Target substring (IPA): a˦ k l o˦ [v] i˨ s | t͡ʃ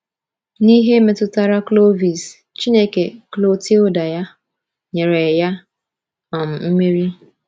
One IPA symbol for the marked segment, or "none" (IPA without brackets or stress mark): v